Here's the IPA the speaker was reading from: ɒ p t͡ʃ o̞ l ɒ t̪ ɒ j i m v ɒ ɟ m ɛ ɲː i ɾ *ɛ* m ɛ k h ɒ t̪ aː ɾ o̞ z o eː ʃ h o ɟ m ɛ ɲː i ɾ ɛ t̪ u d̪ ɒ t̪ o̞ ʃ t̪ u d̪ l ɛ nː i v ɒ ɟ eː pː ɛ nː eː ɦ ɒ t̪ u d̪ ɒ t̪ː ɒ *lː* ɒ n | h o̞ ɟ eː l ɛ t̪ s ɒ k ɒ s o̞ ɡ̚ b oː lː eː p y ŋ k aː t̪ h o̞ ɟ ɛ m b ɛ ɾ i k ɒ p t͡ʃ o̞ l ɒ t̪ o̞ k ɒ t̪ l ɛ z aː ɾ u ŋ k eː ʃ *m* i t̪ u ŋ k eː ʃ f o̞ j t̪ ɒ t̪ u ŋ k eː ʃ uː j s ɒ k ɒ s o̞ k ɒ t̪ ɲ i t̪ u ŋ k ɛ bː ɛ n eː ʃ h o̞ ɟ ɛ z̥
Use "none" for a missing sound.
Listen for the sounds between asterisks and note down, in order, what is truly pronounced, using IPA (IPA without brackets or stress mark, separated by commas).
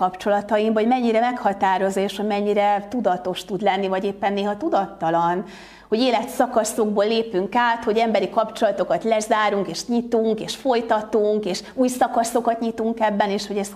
ɛ, l, ɲ